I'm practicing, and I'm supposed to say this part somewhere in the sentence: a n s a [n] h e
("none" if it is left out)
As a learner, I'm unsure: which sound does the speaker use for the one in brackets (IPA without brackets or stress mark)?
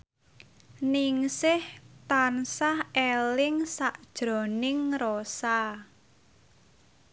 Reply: none